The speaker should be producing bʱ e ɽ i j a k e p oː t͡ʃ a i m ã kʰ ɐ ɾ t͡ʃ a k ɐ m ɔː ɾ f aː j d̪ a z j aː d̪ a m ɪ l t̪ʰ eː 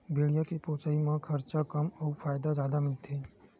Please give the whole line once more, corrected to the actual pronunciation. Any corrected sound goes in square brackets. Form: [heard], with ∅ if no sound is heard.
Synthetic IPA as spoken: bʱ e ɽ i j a k e p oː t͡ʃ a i m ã kʰ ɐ ɾ t͡ʃ a k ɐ m ɔː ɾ f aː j d̪ a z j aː d̪ a m ɪ l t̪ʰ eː